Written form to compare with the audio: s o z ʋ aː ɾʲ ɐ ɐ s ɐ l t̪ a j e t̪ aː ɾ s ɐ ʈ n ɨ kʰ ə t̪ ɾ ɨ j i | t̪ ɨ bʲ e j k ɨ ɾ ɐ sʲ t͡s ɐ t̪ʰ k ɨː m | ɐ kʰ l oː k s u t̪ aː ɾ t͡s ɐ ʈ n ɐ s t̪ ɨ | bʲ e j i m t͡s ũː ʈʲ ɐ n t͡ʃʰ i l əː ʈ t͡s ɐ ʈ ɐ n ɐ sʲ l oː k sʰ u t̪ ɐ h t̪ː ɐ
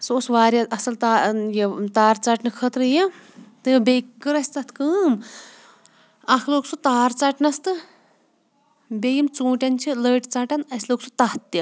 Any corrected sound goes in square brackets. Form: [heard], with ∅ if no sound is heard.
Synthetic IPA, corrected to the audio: s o [s] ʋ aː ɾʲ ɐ ɐ s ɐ l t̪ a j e t̪ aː ɾ [t͡s] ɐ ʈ n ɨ kʰ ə t̪ ɾ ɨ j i | t̪ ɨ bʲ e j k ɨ ɾ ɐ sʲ t͡s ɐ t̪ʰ k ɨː m | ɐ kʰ l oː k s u t̪ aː ɾ t͡s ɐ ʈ n ɐ s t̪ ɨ | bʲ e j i m t͡s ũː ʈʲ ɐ n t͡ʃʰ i l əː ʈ t͡s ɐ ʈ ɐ n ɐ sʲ l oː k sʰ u t̪ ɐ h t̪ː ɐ